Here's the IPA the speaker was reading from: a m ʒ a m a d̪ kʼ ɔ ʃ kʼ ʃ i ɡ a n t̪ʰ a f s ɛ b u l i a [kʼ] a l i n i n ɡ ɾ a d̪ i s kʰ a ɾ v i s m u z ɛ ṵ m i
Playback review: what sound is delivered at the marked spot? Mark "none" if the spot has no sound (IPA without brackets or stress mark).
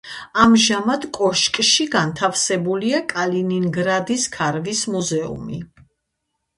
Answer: kʼ